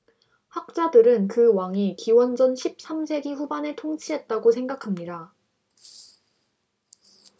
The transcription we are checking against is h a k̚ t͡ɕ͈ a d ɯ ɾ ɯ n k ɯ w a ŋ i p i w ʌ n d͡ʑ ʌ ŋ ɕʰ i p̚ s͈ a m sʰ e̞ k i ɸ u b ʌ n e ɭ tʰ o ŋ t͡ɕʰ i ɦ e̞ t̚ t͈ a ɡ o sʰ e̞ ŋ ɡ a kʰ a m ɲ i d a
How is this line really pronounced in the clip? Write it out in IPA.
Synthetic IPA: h a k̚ t͡ɕ͈ a d ɯ ɾ ɯ n k ɯ w a ŋ i k i w ʌ n d͡ʑ ʌ n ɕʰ i p̚ s͈ a m sʰ e̞ ɡ i ɸ u b a n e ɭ tʰ o ŋ t͡ɕʰ i ɦ e̞ t̚ t͈ a ɡ o sʰ e̞ ŋ ɡ a kʰ a m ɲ i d a

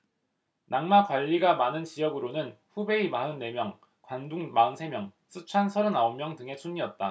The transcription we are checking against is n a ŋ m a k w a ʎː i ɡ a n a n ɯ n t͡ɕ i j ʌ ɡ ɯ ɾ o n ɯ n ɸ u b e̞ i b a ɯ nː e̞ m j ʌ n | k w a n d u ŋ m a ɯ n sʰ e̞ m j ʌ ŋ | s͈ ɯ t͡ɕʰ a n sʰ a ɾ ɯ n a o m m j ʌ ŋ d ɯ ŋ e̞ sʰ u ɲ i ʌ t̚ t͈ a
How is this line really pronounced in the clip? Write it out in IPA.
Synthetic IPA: n a ŋ m a k w a ʎː i ɡ a m a n ɯ n t͡ɕ i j ʌ ɡ ɯ ɾ o n ɯ n ɸ u b e̞ i m a ɯ nː e̞ m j ʌ ŋ | k w a n d u ŋ m a ɯ n sʰ e̞ m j ʌ ŋ | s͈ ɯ t͡ɕʰ a n sʰ ʌ ɾ ɯ n a o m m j ʌ ŋ d ɯ ŋ e̞ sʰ u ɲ i ʌ t̚ t͈ a

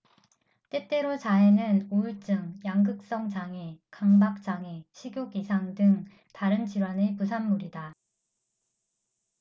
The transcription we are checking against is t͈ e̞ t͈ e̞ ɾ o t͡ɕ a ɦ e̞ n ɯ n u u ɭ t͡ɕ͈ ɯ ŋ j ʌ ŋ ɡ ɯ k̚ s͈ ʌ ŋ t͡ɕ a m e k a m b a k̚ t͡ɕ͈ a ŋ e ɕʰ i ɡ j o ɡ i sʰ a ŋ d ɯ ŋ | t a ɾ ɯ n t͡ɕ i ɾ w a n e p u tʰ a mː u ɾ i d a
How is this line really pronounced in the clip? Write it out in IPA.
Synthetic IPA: t͈ e̞ t͈ e̞ ɾ o t͡ɕ a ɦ e̞ n ɯ n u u ɭ t͡ɕ͈ ɯ ŋ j a ŋ ɡ ɯ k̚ s͈ ʌ ŋ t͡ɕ a ŋ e k a ŋ b a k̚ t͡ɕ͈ a ŋ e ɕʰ i ɡ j o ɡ i sʰ a ŋ d ɯ ŋ | t a ɾ ɯ n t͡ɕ i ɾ w a n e p u sʰ a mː u ɾ i d a

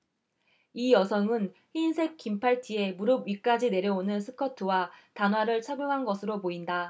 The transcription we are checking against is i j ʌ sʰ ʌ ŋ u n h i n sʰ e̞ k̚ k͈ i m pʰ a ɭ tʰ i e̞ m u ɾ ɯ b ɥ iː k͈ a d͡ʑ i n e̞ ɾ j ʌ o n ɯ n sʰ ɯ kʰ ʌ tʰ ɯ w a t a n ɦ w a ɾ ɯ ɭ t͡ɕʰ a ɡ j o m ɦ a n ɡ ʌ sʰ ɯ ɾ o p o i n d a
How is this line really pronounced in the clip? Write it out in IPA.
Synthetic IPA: i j ʌ sʰ ʌ ŋ ɯ n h i n sʰ e̞ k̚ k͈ i m pʰ a ɭ tʰ i e̞ m u ɾ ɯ b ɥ i k͈ a d͡ʑ i n e̞ ɾ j ʌ o n ɯ n sʰ ɯ kʰ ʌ tʰ ɯ w a t a n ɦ w a ɾ ɯ ɭ t͡ɕʰ a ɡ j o ŋ ɦ a n ɡ ʌ sʰ ɯ ɾ o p o i n d a

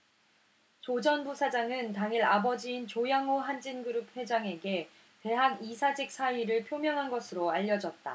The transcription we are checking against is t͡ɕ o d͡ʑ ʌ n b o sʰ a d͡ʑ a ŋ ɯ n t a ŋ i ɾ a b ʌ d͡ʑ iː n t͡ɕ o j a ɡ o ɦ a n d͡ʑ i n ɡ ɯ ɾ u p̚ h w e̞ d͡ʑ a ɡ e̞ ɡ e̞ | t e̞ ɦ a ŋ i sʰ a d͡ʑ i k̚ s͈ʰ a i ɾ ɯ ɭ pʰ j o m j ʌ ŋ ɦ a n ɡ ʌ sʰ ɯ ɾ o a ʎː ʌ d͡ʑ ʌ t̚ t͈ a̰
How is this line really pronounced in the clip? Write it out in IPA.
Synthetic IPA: t͡ɕ o d͡ʑ ʌ n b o sʰ a d͡ʑ a ŋ ɯ n t a ŋ i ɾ a b ʌ d͡ʑ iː n t͡ɕ o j a ŋ o ɦ a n d͡ʑ i n ɡ ɯ ɾ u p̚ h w e̞ d͡ʑ a ŋ e̞ ɡ e̞ | t e̞ ɦ a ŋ i sʰ a d͡ʑ i k̚ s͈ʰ a i ɾ ɯ ɭ pʰ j o m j ʌ ŋ ɦ a n ɡ ʌ sʰ ɯ ɾ o a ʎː ʌ d͡ʑ ʌ t̚ t͈ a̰

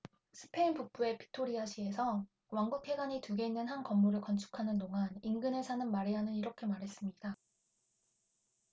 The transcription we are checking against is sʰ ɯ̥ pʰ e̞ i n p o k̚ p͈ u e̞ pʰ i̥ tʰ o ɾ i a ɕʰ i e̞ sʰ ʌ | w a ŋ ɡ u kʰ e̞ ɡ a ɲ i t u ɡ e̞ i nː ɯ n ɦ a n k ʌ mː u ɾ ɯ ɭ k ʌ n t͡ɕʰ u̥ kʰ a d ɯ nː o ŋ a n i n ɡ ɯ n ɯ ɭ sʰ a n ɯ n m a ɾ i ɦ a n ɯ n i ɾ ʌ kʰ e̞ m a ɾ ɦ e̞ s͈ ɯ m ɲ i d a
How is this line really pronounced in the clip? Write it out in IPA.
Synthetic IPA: sʰ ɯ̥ pʰ e̞ i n p u k̚ p͈ u e̞ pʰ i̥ tʰ o ɾ i a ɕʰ i e̞ sʰ ʌ | w a ŋ ɡ u kʰ e̞ ɡ a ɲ i t u ɡ e̞ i nː ɯ n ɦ a n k ʌ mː u ɾ ɯ ɭ k ʌ n t͡ɕʰ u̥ kʰ a n ɯ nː o ŋ a n i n ɡ ɯ n ɯ ɭ sʰ a n ɯ n m a ɾ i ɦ a n ɯ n i ɾ ʌ kʰ e̞ m a ɾ ɦ e̞ s͈ ɯ m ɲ i d a

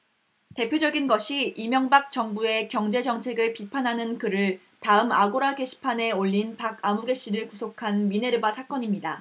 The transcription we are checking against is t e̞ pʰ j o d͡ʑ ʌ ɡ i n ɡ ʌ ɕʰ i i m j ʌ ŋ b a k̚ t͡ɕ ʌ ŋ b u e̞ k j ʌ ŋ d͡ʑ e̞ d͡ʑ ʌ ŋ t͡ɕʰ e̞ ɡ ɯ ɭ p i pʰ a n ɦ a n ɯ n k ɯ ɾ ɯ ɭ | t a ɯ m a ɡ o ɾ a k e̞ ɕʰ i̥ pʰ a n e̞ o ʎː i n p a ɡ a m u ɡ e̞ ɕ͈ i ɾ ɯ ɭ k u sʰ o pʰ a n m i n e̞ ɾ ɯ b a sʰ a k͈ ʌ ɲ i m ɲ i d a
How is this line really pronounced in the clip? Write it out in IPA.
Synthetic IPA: t e̞ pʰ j o d͡ʑ ʌ ɡ i n ɡ ʌ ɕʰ i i m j ʌ ŋ b a k̚ t͡ɕ ʌ ŋ b u e̞ k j ʌ ŋ d͡ʑ e̞ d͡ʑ ʌ ŋ t͡ɕʰ e̞ ɡ ɯ ɭ p i pʰ a n ɦ a n ɯ n k ɯ ɾ ɯ ɭ | t a ɯ m a ɡ o ɾ a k e̞ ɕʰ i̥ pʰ a n e̞ o ʎː i n p a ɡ a m u ɡ e̞ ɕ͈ i ɾ ɯ ɭ k u sʰ o kʰ a n m i n e̞ ɾ ɯ b a sʰ a k͈ ʌ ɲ i m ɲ i d a

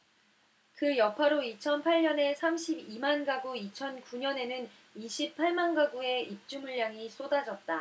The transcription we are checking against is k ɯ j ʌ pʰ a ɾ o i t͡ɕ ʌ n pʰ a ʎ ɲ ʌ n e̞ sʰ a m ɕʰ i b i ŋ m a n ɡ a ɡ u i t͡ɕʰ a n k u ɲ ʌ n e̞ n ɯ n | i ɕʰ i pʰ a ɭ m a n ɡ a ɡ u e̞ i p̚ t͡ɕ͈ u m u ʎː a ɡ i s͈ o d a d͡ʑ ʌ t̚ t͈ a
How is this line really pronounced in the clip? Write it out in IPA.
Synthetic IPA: k ɯ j ʌ pʰ a ɾ o i t͡ɕʰ ʌ n pʰ a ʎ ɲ ʌ n e̞ sʰ a m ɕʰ i b i m a n ɡ a ɡ u i t͡ɕʰ ʌ n k u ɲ ʌ n e̞ n ɯ n | i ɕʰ i pʰ a ɭ m a n ɡ a ɡ u e̞ i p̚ t͡ɕ͈ u m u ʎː a ŋ i s͈ o d a d͡ʑ ʌ t̚ t͈ a

